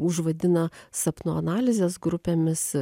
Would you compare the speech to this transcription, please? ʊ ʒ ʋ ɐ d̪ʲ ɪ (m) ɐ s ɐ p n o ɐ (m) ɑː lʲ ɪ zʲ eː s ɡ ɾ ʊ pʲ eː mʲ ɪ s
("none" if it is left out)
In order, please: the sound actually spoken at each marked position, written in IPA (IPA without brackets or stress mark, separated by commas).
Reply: n, n